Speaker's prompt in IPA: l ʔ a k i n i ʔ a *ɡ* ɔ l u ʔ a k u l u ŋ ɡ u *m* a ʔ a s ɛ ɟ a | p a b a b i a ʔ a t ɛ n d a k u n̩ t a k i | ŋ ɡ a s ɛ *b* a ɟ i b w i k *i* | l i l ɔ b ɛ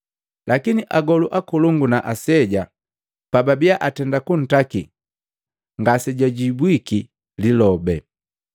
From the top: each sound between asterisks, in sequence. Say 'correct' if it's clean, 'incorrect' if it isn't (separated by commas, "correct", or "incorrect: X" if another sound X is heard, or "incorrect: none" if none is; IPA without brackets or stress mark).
correct, incorrect: n, incorrect: ɟ, correct